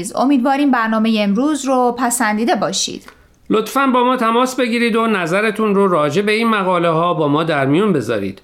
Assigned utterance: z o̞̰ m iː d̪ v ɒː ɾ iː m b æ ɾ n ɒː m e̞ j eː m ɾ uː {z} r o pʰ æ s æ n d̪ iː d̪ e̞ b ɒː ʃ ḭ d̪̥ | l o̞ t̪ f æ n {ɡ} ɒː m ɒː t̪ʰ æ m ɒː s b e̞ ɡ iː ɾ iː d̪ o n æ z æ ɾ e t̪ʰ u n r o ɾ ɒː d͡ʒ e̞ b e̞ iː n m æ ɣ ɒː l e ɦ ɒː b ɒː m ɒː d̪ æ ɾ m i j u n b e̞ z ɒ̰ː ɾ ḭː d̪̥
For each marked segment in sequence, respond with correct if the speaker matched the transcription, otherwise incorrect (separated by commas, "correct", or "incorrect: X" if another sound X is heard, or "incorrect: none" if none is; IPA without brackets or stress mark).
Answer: correct, incorrect: b